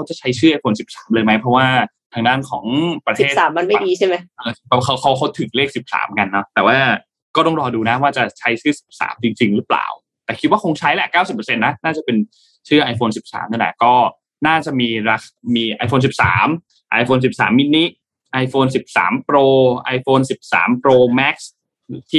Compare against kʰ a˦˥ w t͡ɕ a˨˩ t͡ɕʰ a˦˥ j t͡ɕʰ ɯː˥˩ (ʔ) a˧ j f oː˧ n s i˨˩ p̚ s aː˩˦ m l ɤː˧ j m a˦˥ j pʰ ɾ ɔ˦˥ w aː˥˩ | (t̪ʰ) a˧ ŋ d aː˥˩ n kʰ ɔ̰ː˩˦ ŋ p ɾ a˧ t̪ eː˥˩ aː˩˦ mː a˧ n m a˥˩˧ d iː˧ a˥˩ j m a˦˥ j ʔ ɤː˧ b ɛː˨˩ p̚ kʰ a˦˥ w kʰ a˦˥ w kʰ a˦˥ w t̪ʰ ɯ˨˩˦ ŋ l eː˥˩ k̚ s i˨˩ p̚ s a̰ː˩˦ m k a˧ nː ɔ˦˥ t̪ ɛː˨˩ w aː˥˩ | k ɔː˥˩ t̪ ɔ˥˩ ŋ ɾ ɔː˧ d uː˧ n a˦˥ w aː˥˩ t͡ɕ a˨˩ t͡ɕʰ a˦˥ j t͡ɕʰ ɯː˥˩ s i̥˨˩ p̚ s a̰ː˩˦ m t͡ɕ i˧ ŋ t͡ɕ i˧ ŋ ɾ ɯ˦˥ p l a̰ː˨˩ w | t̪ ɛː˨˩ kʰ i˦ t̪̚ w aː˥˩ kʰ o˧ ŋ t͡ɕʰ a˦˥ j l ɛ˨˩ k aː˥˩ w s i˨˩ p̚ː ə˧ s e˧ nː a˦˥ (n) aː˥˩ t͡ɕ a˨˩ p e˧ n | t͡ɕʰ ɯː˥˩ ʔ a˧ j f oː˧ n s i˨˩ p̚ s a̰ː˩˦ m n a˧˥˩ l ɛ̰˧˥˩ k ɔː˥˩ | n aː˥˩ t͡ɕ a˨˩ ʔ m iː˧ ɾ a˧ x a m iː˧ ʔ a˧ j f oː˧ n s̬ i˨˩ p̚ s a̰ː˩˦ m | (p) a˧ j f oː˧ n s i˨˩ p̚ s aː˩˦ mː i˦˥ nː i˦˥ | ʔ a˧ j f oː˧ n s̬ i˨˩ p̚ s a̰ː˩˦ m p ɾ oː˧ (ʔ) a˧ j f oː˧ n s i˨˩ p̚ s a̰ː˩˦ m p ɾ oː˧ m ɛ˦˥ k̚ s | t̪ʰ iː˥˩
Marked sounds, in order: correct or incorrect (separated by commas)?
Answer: correct, correct, correct, incorrect, correct